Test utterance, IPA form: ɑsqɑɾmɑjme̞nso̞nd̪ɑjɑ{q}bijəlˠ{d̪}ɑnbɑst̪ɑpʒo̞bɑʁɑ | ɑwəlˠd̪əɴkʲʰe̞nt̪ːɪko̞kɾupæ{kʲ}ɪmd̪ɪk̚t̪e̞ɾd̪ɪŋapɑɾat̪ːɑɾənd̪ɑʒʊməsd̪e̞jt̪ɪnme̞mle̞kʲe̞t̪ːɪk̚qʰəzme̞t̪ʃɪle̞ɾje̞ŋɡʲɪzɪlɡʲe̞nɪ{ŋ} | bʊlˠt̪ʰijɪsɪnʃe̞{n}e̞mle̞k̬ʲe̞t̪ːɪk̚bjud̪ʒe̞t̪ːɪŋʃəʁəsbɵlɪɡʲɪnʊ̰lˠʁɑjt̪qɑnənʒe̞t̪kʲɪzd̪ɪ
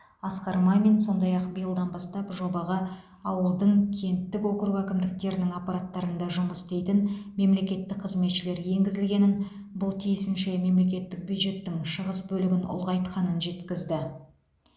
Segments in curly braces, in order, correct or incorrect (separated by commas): correct, correct, correct, incorrect, incorrect